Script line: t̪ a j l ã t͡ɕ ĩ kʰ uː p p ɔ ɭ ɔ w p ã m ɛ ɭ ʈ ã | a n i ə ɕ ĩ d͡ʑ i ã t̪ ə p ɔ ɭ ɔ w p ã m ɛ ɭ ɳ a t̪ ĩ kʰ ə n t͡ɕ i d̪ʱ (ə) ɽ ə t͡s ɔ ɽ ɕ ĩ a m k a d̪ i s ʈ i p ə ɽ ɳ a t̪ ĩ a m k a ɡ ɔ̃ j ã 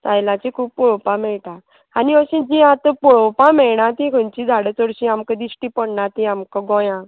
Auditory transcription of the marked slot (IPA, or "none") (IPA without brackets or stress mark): a